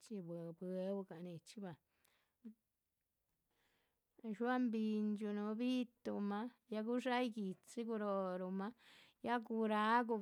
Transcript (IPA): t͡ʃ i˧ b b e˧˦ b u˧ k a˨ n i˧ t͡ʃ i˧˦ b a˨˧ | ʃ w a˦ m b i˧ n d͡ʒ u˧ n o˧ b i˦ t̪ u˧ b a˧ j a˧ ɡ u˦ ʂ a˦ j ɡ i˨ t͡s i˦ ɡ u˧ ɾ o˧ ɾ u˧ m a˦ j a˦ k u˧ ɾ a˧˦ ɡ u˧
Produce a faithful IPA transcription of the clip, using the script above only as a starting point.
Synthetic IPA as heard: t͡ʃ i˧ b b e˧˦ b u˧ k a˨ n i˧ t͡ʃ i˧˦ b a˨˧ | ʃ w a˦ m b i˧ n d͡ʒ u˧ n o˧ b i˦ t̪ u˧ m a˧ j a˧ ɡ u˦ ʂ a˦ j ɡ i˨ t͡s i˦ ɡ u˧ ɾ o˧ ɾ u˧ m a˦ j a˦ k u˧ ɾ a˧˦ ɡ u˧